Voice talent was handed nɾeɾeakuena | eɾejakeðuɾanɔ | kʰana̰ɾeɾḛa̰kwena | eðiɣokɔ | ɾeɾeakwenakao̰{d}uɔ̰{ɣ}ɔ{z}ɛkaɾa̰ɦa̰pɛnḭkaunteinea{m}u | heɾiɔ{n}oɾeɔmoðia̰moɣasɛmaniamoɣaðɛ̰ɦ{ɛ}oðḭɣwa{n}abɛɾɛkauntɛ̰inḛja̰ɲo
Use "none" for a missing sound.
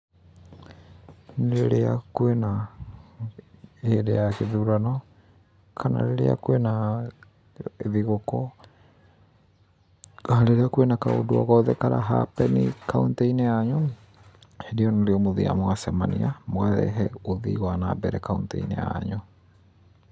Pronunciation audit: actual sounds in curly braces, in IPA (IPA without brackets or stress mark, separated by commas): d, ɣ, ð, ɲ, n, ɛ, n